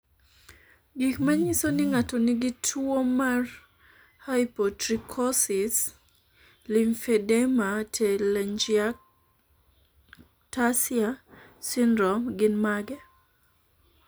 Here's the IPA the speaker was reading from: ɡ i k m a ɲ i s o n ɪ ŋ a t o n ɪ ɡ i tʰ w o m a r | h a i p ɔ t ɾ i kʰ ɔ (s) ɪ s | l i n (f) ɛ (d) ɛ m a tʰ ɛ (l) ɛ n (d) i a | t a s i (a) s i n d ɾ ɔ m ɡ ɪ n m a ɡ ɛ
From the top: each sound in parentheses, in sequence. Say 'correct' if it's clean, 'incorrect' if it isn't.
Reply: correct, correct, correct, correct, incorrect, correct

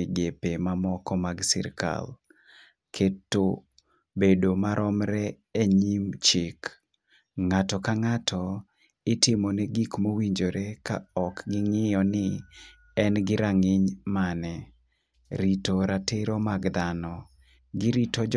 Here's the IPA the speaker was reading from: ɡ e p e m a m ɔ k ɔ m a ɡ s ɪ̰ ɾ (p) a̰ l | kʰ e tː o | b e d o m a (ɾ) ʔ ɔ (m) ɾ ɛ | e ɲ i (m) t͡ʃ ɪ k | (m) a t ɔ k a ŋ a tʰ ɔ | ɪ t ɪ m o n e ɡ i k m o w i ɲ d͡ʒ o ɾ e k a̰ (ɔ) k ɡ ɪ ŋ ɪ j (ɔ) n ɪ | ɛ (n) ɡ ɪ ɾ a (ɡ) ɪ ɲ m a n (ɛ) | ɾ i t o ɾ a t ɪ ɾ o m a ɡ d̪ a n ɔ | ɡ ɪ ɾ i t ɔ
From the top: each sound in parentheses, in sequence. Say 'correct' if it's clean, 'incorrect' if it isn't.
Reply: incorrect, correct, correct, correct, incorrect, correct, correct, correct, incorrect, correct

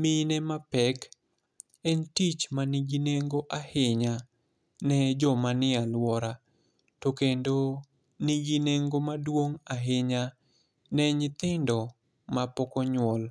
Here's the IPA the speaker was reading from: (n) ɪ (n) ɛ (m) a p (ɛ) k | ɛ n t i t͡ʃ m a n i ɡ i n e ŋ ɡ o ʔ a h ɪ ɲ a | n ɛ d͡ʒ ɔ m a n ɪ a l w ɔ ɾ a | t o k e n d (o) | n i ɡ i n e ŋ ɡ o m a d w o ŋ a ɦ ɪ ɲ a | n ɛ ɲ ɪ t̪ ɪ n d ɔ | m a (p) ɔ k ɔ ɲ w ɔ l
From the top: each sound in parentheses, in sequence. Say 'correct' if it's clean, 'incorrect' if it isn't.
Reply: incorrect, correct, correct, correct, correct, correct

